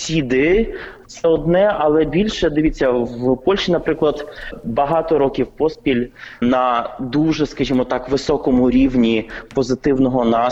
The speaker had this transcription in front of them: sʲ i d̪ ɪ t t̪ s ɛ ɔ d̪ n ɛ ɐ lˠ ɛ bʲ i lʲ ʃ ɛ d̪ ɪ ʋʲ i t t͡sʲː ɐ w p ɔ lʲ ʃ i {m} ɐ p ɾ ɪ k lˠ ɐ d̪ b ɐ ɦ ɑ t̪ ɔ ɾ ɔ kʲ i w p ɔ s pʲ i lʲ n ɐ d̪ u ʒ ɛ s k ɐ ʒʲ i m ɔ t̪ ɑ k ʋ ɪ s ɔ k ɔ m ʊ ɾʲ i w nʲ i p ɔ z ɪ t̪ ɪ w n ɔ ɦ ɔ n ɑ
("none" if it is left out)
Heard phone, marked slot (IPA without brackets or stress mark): n